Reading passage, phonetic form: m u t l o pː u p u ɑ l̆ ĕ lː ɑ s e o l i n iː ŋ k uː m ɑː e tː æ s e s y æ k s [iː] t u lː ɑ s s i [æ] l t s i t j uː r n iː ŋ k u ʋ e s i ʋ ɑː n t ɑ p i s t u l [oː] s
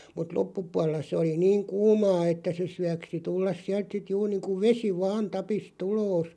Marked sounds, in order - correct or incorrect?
incorrect: i, correct, correct

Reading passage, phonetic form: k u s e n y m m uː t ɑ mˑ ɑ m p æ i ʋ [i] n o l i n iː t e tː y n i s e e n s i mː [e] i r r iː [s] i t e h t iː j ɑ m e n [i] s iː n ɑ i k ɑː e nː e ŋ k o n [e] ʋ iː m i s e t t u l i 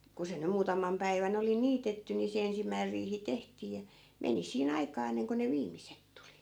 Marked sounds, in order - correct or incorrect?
incorrect: æ, incorrect: æ, incorrect: h, correct, correct

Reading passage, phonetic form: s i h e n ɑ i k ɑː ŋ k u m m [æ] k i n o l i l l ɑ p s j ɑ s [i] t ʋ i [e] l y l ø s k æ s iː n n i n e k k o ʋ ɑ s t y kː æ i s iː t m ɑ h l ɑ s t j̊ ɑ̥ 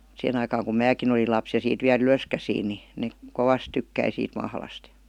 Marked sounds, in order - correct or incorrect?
incorrect: æː, incorrect: iː, incorrect: æ

